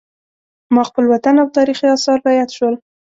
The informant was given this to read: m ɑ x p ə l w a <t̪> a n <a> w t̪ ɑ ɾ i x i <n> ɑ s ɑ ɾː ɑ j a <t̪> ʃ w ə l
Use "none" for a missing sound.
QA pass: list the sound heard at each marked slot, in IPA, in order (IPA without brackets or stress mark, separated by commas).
t̪, a, none, t̪